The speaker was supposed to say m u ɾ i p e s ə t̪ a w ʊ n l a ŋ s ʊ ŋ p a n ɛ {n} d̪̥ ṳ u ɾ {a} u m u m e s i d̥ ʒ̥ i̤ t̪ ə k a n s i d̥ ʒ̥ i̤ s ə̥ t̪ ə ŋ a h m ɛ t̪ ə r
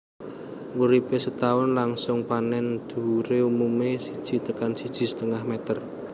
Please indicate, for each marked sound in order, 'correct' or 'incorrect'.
correct, incorrect: e

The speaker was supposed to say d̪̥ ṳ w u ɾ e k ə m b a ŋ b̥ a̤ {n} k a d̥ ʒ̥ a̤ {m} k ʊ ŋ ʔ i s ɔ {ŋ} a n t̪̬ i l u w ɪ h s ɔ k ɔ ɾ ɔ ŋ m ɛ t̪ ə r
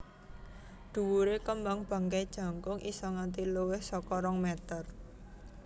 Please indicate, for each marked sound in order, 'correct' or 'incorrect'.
incorrect: ŋ, incorrect: ŋ, correct

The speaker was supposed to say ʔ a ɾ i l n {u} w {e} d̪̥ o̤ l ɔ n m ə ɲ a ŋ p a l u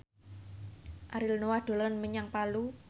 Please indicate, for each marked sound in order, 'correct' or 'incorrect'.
incorrect: o, incorrect: a

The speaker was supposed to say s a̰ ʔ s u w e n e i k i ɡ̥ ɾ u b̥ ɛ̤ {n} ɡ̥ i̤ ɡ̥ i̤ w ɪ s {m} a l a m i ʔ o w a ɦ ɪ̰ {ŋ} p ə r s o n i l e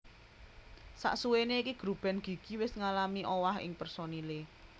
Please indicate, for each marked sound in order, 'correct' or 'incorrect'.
correct, incorrect: ŋ, correct

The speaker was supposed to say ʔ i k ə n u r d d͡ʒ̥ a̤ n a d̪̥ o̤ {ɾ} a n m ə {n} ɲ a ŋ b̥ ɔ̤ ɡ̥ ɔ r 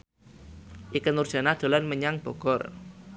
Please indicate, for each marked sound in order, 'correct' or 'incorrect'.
incorrect: l, incorrect: none

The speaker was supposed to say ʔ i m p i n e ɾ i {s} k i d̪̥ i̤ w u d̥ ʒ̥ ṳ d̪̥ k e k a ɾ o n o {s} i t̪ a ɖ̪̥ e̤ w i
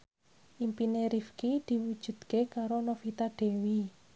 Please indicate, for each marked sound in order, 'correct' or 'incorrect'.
incorrect: f, incorrect: f

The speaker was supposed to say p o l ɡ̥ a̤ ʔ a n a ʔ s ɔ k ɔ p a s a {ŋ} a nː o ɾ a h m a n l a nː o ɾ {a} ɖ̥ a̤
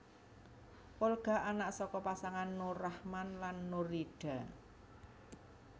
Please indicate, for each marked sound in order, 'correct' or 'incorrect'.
correct, incorrect: i

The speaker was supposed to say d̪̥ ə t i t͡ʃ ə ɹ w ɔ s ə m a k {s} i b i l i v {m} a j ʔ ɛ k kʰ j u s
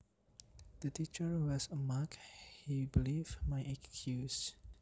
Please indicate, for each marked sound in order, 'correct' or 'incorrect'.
incorrect: h, correct

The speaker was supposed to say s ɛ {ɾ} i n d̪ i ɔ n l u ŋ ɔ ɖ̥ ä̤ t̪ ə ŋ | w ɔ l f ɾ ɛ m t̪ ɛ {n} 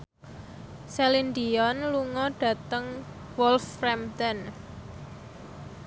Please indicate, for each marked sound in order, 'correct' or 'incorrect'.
incorrect: l, correct

